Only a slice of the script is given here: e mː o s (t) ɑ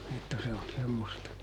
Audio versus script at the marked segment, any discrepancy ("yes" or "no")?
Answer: no